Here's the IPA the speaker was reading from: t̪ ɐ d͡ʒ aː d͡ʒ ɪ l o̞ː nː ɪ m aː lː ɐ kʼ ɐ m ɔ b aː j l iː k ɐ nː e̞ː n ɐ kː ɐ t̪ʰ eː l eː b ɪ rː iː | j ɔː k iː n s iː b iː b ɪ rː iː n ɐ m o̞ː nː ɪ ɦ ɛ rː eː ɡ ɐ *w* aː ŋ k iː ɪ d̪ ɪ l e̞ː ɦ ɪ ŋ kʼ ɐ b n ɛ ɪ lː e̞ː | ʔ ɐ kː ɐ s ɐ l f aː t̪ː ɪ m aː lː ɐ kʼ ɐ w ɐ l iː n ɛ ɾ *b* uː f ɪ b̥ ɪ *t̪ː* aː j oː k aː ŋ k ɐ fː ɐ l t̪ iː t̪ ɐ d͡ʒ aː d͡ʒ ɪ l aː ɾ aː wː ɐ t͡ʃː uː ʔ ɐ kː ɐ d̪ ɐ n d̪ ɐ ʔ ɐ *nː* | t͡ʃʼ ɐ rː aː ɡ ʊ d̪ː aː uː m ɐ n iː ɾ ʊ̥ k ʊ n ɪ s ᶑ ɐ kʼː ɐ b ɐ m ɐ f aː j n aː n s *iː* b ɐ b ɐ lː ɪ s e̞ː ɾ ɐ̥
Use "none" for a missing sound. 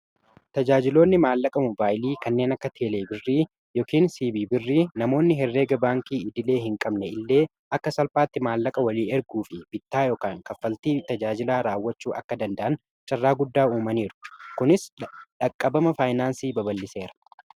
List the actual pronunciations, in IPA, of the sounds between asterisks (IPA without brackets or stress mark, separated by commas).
b, ɡ, t̪ː, n, iː